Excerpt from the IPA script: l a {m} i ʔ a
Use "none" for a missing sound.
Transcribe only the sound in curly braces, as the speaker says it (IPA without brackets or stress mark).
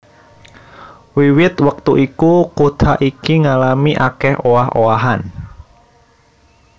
m